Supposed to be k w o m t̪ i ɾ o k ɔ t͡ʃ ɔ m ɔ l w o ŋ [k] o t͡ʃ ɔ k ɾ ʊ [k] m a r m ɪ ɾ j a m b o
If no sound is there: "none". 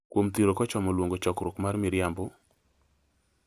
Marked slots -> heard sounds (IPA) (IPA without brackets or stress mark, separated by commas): ɡ, k